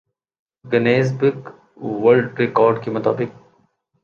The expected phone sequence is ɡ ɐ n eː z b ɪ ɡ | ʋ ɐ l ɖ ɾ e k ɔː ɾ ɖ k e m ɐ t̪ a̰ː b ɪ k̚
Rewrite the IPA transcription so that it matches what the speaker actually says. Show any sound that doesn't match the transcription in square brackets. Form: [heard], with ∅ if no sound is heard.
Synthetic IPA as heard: ɡ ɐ n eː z b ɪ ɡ | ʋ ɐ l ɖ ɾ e k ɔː ɾ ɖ k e m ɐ t̪ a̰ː b ɪ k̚